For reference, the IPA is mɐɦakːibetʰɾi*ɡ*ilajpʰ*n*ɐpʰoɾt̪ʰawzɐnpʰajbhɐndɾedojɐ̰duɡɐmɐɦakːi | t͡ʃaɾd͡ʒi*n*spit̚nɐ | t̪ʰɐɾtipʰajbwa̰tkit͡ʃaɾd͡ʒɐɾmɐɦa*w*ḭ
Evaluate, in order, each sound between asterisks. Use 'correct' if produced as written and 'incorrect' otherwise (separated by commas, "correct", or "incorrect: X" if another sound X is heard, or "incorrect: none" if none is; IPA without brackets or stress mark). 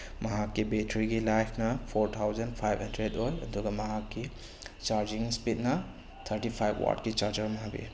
correct, correct, incorrect: ŋ, incorrect: b